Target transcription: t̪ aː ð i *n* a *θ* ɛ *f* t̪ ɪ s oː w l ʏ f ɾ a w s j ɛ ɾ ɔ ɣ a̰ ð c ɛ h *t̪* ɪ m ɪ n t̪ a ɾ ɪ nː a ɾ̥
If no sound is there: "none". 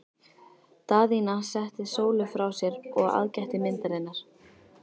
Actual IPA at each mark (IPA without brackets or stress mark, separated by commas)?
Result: n, s, h, t̪